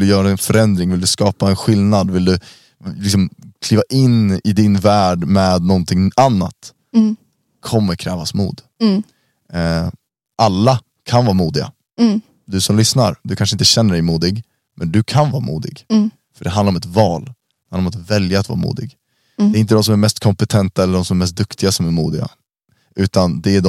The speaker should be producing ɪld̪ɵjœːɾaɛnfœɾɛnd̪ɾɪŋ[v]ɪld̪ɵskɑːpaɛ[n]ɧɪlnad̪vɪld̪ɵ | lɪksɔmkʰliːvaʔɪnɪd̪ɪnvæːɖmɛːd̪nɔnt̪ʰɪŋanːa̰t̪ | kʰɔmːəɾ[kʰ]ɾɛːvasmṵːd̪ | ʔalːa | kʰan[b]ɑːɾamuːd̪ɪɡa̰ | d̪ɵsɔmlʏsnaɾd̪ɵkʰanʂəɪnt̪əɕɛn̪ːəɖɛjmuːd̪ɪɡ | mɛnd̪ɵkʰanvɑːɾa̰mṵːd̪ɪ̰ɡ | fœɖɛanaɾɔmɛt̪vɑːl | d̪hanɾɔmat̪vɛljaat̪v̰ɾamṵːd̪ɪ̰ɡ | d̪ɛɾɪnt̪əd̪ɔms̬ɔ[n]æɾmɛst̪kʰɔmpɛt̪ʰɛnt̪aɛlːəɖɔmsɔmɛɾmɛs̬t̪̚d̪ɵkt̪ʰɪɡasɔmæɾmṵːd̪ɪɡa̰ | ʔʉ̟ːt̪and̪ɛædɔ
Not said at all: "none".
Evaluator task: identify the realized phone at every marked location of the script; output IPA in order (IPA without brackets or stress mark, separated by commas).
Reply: v, n, kʰ, v, m